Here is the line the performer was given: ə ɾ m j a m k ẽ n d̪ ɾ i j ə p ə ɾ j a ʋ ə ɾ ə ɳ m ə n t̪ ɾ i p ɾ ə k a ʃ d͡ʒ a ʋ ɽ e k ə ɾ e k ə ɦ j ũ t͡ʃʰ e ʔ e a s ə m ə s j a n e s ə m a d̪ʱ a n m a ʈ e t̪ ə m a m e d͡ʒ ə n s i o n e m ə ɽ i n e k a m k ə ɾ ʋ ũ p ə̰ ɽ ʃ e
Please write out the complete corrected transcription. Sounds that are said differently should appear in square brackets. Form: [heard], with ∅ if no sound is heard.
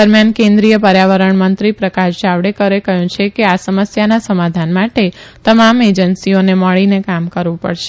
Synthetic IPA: ə ɾ m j a [n] k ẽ n d̪ ɾ i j ə p ə ɾ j a ʋ ə ɾ ə ɳ m ə n t̪ ɾ i p ɾ ə k a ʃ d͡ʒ a ʋ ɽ e k ə ɾ e k ə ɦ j ũ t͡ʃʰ e [k] e a s ə m ə s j a n [a] s ə m a d̪ʱ a n m a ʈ e t̪ ə m a m e d͡ʒ ə n s i o n e m ə [ɭ] i n e k a m k ə ɾ ʋ ũ p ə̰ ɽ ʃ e